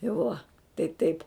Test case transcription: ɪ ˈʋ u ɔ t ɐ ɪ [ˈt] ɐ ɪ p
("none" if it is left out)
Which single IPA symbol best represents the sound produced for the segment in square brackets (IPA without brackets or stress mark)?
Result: t